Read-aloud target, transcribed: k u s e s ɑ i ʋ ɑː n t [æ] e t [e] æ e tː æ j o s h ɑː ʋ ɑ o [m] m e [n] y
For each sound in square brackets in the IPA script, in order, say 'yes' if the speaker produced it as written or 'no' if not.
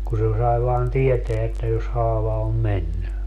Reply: no, yes, yes, no

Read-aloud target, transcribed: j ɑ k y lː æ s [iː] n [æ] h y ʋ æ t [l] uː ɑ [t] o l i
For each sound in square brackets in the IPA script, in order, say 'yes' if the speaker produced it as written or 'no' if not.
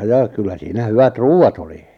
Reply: yes, yes, no, yes

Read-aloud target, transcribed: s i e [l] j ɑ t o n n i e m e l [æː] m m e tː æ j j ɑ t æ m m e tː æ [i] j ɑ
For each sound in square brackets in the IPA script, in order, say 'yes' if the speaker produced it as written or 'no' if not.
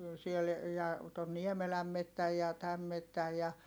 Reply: yes, no, no

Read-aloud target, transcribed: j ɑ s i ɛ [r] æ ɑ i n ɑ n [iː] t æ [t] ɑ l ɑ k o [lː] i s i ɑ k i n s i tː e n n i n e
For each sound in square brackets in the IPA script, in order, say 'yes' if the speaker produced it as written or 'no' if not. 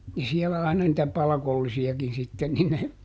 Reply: no, no, no, yes

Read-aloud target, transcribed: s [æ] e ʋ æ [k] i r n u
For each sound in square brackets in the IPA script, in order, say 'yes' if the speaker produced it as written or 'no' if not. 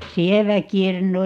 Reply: no, yes

